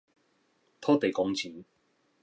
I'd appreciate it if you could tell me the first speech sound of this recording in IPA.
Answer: t̪ʰ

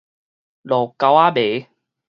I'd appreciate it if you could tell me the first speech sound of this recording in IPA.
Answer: l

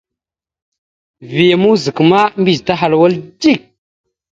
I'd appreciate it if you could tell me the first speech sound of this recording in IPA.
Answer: v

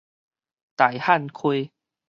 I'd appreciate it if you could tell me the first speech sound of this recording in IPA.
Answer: t̪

